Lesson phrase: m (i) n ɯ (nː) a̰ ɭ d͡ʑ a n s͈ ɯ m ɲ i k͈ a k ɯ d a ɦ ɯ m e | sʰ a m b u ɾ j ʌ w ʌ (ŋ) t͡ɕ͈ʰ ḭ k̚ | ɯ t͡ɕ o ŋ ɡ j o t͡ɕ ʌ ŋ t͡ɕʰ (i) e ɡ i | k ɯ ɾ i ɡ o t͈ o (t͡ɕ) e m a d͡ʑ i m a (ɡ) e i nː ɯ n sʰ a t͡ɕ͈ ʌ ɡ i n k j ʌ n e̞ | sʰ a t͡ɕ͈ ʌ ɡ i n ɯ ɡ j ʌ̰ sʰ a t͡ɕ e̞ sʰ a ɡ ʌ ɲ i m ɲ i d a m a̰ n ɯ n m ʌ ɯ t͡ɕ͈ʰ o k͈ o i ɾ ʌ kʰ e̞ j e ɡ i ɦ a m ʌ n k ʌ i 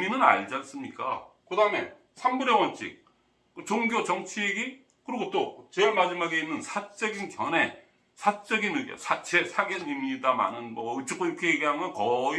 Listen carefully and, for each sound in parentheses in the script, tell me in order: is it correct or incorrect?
correct, incorrect: n, incorrect: n, correct, correct, correct

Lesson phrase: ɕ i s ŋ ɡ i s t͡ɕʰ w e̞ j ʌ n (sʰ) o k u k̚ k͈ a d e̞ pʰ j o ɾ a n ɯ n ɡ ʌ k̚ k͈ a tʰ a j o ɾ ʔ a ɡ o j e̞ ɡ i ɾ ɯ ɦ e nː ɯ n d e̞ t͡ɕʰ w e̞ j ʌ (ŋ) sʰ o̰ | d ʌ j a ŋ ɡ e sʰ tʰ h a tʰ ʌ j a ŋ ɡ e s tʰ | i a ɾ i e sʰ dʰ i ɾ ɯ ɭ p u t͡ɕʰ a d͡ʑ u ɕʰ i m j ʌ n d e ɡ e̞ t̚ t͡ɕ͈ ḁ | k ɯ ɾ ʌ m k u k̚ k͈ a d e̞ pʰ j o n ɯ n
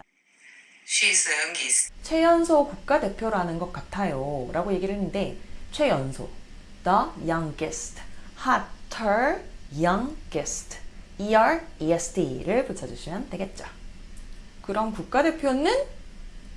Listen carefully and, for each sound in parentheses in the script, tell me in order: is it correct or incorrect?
correct, incorrect: n

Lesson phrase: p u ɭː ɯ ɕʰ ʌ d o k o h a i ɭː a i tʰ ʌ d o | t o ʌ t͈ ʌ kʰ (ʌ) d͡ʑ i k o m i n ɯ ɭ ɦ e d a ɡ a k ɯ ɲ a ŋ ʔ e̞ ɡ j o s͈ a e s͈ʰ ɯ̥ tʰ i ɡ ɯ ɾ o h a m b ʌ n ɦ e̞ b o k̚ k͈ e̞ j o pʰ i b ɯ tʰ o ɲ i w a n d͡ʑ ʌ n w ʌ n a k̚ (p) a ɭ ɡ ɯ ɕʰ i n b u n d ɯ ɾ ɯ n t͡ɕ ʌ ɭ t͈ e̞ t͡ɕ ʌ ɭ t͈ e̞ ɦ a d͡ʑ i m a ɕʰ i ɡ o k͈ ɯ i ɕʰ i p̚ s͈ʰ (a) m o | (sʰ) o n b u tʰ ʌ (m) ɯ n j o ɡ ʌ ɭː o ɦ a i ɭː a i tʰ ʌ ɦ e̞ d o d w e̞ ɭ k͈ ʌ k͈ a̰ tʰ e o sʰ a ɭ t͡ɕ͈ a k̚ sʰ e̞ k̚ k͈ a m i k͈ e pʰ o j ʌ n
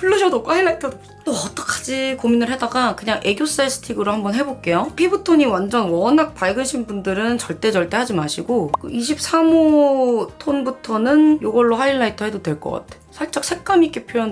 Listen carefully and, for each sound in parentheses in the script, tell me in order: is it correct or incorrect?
incorrect: a, correct, correct, incorrect: tʰ, incorrect: n

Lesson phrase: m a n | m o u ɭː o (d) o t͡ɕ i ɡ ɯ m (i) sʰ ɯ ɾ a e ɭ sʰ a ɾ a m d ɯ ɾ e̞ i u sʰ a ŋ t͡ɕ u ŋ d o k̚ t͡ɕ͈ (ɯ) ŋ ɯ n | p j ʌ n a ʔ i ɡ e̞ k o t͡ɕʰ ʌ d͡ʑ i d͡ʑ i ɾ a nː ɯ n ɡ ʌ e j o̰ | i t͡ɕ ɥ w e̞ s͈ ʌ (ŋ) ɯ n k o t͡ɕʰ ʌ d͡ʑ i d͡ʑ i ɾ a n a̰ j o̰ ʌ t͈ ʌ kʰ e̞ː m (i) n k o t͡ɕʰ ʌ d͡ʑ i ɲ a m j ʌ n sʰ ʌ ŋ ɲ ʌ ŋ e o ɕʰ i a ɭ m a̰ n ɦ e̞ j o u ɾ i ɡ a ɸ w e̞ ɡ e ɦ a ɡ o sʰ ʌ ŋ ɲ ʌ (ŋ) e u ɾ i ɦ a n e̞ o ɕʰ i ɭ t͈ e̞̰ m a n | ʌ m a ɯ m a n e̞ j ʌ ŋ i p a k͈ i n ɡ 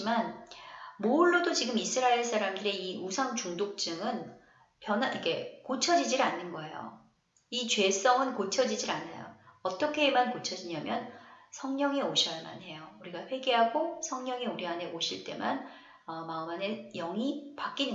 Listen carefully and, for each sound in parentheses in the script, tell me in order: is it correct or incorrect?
correct, correct, correct, correct, incorrect: a, correct

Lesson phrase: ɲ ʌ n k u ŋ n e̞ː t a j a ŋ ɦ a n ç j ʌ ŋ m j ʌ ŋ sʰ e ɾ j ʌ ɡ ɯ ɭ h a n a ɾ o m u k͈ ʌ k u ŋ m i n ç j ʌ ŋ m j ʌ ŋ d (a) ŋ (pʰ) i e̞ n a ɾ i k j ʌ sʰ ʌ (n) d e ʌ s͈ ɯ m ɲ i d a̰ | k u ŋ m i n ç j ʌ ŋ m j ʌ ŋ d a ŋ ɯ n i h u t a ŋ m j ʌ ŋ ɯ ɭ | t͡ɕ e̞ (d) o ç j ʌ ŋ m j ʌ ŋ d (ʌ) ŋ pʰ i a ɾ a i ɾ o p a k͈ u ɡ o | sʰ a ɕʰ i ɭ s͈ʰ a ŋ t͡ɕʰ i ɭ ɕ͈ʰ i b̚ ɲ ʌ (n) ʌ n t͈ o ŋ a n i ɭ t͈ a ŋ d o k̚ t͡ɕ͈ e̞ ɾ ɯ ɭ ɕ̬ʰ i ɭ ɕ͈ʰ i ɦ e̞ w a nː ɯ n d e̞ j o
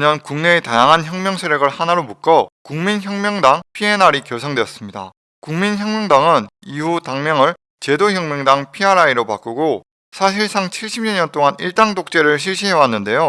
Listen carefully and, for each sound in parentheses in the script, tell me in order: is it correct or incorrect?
correct, correct, incorrect: ŋ, correct, incorrect: a, incorrect: ɲ

